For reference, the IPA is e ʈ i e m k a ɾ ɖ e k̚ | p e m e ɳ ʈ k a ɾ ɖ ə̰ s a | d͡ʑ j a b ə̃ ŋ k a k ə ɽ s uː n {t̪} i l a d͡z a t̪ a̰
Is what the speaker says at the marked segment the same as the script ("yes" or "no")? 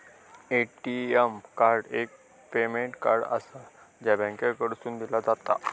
no